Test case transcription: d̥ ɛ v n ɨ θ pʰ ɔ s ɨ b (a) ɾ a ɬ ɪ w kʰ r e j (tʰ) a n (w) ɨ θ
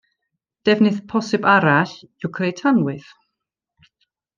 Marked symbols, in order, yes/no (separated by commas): yes, yes, yes